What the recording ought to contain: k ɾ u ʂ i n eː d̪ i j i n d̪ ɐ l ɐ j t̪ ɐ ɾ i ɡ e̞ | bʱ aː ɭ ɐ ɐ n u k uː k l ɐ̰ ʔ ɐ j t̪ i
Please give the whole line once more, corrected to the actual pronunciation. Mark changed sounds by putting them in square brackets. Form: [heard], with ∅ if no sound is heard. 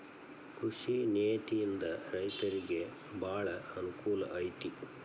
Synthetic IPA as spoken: k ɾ u ʂ i n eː [t̪] i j i n d̪ ɐ [ɾ] ɐ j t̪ ɐ ɾ i ɡ e̞ | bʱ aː ɭ ɐ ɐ n u k uː [∅] l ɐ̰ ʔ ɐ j t̪ i